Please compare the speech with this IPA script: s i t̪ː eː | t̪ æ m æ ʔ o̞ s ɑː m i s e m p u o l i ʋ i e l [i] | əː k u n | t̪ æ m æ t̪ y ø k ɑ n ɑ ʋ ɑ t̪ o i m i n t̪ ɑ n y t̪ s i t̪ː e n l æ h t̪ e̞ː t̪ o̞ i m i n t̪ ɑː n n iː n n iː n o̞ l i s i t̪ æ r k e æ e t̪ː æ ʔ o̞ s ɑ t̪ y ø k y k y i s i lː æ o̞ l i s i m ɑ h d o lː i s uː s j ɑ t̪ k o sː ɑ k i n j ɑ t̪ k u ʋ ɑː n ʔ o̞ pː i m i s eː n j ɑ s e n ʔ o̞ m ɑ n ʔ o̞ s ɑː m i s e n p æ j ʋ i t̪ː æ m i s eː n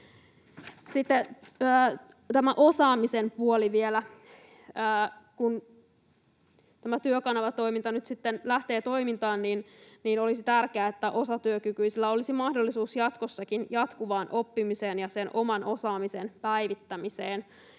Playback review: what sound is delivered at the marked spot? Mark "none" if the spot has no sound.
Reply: æ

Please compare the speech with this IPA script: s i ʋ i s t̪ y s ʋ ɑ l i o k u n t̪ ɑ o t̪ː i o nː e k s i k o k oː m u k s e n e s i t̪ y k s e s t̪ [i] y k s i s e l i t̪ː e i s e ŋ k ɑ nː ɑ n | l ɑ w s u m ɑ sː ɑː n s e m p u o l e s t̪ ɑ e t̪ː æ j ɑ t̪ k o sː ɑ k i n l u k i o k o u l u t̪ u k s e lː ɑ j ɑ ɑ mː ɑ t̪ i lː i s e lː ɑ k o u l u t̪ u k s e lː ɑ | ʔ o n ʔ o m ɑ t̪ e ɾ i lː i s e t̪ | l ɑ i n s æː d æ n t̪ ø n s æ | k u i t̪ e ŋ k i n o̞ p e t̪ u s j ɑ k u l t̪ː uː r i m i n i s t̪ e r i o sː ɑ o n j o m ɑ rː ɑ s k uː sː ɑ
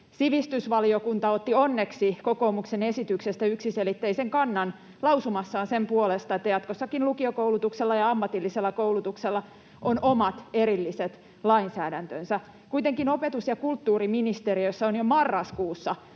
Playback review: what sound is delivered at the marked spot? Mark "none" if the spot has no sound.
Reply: æ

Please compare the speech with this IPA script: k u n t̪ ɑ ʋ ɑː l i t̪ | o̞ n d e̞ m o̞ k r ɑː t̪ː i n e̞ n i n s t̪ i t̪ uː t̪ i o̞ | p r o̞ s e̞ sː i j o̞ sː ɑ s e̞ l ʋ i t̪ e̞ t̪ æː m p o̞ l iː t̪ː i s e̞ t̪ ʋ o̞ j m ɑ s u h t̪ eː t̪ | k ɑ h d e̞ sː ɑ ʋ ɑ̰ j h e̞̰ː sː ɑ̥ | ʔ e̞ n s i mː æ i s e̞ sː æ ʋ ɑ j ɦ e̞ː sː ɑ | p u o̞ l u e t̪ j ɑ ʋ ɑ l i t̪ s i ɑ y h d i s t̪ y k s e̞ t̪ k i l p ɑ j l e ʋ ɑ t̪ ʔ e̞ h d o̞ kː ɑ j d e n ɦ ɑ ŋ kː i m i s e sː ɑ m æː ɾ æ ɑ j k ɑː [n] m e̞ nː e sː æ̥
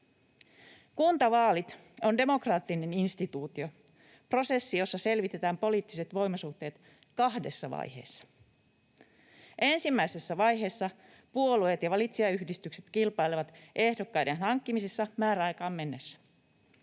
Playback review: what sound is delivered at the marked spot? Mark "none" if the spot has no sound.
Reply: m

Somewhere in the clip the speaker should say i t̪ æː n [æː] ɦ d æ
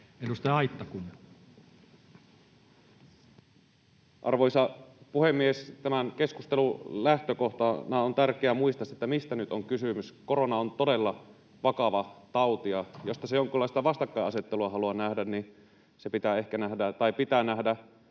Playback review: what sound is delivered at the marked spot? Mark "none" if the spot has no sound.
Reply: æ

